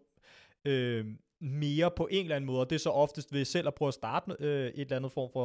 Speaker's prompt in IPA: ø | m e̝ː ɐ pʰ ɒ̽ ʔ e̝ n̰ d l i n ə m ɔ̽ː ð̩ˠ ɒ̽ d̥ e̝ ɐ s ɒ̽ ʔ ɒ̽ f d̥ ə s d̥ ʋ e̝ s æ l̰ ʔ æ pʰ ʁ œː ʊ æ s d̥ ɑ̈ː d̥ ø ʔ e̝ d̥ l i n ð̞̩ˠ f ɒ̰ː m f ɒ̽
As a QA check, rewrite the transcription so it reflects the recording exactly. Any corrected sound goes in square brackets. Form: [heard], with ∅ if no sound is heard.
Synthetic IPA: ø | m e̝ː ɐ pʰ ɒ̽ ʔ e̝ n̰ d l [æ] n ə m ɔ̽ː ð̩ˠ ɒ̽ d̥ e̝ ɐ s ɒ̽ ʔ ɒ̽ f d̥ ə s d̥ ʋ e̝ s [e] l̰ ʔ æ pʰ ʁ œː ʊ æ s d̥ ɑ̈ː d̥ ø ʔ e̝ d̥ l [æ] n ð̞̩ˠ f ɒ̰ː m f ɒ̽